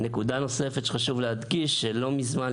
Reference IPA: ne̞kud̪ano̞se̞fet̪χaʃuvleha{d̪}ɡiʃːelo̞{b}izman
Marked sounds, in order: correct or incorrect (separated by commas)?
correct, incorrect